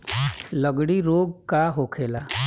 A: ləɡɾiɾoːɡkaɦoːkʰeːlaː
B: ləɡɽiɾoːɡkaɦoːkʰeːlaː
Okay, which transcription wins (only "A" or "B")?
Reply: B